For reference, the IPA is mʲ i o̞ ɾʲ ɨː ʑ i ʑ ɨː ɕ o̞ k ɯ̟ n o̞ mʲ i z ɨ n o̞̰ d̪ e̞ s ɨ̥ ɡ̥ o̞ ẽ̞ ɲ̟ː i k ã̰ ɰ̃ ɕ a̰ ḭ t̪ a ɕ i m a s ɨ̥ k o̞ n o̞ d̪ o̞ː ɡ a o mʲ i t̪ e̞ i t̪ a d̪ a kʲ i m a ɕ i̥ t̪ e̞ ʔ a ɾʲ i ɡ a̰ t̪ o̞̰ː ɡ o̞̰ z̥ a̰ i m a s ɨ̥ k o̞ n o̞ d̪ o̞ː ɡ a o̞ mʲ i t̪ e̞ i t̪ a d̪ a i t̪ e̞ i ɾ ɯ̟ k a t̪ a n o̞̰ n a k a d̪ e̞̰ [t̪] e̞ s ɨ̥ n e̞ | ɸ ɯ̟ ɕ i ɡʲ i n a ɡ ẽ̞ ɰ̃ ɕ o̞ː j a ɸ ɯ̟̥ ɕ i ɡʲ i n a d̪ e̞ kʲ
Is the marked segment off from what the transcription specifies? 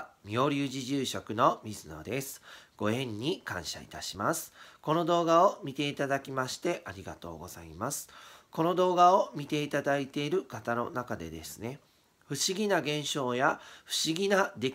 yes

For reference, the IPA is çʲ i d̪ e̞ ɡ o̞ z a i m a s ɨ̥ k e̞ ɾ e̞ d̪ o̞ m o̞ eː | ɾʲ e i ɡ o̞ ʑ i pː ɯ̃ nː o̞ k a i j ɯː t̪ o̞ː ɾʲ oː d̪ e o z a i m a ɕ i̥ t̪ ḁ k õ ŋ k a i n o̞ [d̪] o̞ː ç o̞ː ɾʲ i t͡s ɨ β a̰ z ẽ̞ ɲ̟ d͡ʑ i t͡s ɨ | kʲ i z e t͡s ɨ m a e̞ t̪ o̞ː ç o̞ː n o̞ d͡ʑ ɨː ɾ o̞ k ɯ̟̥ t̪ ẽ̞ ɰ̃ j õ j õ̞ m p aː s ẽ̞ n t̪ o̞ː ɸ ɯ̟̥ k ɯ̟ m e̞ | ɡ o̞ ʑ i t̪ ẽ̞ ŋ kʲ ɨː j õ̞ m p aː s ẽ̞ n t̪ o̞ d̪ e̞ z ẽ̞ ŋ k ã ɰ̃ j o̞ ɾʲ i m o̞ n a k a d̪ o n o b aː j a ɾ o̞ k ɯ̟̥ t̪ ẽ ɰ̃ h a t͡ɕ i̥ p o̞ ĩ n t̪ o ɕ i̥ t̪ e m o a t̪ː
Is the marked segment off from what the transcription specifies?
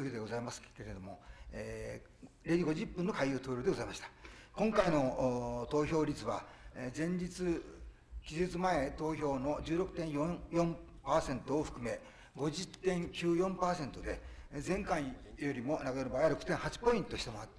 yes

